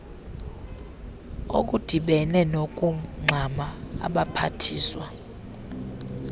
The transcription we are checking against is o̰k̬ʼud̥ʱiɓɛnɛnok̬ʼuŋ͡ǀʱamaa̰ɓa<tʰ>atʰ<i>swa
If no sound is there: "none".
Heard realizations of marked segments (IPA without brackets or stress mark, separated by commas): pʰ, iː